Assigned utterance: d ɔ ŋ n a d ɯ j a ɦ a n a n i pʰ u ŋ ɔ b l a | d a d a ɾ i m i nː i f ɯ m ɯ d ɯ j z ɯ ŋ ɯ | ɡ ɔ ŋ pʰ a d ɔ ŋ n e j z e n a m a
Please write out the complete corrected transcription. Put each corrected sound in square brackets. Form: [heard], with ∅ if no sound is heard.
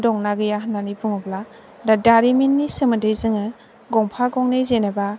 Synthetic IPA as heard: d ɔ ŋ n a [ɡ] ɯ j a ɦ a n a n i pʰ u ŋ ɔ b l a | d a d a ɾ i m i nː i [s] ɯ m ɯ d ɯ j z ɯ ŋ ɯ | ɡ ɔ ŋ pʰ a [ɡ] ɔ ŋ n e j z e n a [b] a

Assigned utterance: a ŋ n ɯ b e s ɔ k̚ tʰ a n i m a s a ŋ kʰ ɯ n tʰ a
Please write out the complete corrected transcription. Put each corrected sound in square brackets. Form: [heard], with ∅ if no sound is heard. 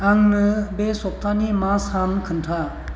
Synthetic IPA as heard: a ŋ n ɯ b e s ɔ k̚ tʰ a n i m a s a [m] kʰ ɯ n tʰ a

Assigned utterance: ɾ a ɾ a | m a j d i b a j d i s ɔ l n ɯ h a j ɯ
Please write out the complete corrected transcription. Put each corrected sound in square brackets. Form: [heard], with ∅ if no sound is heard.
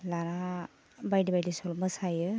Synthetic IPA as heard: [l] a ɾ a | [b] a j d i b a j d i s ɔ l [m] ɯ [s] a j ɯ

